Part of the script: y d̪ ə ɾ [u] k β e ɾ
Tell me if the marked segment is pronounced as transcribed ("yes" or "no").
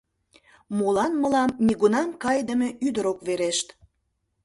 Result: no